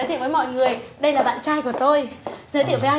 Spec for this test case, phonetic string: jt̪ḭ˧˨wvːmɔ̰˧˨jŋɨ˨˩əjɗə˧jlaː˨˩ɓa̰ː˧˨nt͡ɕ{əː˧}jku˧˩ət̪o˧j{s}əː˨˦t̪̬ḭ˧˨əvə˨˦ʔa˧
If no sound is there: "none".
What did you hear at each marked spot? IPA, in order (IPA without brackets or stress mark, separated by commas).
aː˧, z